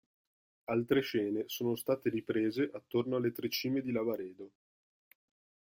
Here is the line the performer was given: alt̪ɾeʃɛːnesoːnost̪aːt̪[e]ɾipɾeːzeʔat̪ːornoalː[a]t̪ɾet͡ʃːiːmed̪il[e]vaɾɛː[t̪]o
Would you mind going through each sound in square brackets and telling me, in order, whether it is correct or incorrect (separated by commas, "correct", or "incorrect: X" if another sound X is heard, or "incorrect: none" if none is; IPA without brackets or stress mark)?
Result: correct, incorrect: e, incorrect: a, incorrect: d̪